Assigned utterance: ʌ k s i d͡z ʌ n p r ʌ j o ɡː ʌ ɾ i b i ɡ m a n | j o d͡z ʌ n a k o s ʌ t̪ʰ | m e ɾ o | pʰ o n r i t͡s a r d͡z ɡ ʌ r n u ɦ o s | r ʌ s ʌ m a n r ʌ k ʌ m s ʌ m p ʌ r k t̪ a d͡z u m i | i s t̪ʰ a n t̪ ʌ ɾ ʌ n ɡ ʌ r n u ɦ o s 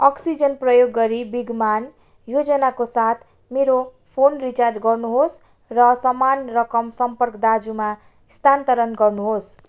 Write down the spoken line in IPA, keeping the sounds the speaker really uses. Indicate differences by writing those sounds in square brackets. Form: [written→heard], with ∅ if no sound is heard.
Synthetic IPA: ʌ k s i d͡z ʌ n p r ʌ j o ɡː ʌ ɾ i b i ɡ m a n | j o d͡z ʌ n a k o s [ʌ→a] t̪ʰ | m e ɾ o | pʰ o n r i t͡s a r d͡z ɡ ʌ r n u ɦ o s | r ʌ s ʌ m a n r ʌ k ʌ m s ʌ m p ʌ r k [t̪→d̪] a d͡z u m [i→a] | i s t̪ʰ a n t̪ ʌ ɾ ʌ n ɡ ʌ r n u ɦ o s